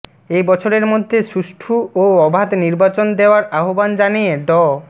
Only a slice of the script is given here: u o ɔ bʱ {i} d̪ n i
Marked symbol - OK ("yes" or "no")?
no